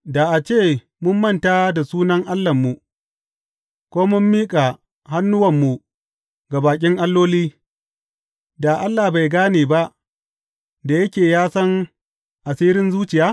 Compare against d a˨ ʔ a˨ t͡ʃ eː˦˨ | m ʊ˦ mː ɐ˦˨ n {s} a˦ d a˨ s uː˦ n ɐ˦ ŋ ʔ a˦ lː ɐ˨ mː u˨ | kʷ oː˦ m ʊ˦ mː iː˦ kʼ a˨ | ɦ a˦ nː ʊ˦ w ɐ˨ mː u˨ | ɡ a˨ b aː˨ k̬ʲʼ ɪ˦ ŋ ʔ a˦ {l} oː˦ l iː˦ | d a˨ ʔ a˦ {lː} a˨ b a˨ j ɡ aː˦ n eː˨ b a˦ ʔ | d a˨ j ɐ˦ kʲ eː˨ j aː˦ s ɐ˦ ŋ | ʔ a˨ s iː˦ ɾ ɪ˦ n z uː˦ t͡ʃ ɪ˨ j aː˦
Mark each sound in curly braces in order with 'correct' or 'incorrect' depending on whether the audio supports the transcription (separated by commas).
incorrect, incorrect, correct